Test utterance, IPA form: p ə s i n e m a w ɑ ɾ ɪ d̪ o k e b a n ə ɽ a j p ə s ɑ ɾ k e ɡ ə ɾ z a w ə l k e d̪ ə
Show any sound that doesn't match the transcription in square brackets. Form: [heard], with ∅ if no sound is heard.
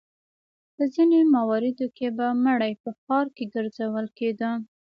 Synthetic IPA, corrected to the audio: p ə [z] i n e m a w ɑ ɾ ɪ d̪ o k e b a [m] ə ɽ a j p ə [x] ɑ ɾ k e ɡ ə ɾ z a w ə l k e d̪ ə